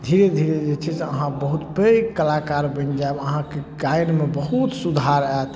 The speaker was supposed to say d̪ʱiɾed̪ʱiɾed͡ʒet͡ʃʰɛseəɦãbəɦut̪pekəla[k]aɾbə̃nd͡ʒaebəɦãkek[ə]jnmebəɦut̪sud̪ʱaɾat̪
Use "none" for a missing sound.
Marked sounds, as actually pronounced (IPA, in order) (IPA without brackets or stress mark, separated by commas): k, a